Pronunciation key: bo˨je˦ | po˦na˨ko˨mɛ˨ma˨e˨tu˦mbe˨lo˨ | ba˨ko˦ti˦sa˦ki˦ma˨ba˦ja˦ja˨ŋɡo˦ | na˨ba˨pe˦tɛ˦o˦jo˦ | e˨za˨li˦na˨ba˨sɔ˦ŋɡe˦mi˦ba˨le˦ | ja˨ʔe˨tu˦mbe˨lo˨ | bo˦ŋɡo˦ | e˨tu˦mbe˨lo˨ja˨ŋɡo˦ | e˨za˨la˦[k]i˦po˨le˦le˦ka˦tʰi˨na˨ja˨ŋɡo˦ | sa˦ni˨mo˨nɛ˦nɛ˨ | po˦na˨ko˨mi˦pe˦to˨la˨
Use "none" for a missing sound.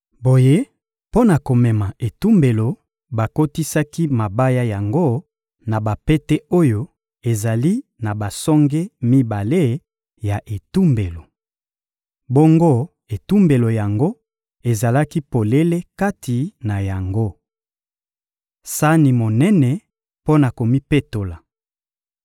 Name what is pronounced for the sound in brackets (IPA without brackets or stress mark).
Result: k